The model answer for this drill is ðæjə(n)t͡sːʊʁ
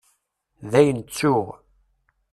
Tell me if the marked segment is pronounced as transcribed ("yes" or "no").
yes